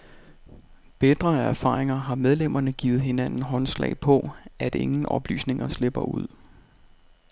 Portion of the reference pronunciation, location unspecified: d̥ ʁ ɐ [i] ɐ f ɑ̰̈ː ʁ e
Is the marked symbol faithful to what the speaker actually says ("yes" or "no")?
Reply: no